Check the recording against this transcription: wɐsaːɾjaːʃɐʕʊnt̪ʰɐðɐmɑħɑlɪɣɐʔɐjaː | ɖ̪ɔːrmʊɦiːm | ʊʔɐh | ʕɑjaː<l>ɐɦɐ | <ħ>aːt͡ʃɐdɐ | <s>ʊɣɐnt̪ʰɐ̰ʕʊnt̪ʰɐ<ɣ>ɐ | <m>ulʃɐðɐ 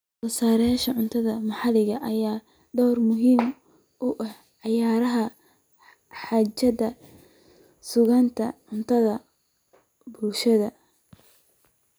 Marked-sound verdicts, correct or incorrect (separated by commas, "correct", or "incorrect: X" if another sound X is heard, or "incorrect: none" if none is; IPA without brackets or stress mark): incorrect: ɾ, correct, correct, incorrect: ð, incorrect: b